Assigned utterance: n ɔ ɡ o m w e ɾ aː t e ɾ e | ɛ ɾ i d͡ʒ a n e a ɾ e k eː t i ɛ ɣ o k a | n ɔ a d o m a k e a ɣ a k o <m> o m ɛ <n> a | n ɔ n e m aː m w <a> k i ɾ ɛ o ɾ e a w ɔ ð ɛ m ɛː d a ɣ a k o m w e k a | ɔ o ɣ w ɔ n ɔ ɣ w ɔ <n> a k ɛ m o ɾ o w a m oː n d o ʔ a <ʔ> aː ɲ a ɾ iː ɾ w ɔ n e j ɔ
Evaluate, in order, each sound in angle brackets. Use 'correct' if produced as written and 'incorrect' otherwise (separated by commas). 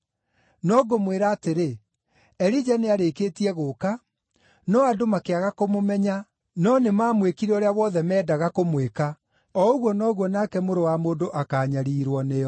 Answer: correct, incorrect, incorrect, correct, incorrect